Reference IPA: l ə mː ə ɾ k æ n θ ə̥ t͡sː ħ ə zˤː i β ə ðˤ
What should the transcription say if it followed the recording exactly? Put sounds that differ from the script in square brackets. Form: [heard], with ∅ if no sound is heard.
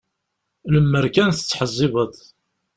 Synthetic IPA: l ə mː ə ɾ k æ n θ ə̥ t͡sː ħ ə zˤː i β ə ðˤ